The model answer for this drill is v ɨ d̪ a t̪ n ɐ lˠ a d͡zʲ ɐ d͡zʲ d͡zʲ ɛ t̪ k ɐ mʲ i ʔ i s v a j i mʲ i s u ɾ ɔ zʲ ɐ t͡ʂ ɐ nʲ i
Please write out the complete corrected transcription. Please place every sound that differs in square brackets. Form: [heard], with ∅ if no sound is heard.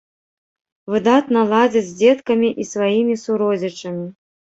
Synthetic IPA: v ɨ d̪ a t̪ n ɐ lˠ a d͡zʲ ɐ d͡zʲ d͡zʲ ɛ t̪ k ɐ mʲ i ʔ i s v a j i mʲ i s u ɾ ɔ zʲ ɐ t͡ʂ ɐ [mʲ] i